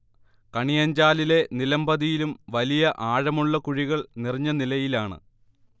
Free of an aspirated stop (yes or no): yes